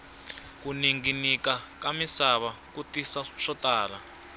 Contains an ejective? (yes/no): no